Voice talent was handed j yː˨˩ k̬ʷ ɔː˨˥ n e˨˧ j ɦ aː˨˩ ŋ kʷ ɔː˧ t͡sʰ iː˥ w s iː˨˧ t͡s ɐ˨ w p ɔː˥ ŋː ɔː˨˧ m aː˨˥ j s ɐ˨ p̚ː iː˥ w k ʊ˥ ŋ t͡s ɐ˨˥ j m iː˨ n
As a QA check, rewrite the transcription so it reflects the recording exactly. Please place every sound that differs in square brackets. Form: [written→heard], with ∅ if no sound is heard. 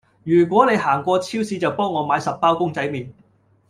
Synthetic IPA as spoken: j yː˨˩ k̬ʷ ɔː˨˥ n e˨˧ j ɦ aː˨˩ ŋ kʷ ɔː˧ t͡sʰ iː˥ w s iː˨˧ t͡s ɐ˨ w p ɔː˥ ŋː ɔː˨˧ m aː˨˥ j s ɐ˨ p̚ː [iː˥→aː˥] w k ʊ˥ ŋ t͡s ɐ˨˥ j m iː˨ n